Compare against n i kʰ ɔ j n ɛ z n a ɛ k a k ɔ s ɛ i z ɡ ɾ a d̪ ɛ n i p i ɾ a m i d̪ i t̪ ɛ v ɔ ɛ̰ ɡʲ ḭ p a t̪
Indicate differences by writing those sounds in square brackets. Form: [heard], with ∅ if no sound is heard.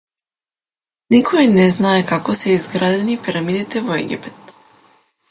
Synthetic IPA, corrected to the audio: n i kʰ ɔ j n ɛ z n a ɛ k a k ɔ s ɛ i z ɡ ɾ a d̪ ɛ n i p i ɾ a m i d̪ i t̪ ɛ v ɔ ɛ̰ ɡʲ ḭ p [ɛ] t̪